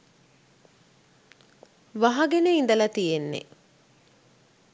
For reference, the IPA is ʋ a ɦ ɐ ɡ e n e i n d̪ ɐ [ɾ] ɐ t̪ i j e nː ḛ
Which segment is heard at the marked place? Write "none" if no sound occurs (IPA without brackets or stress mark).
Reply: l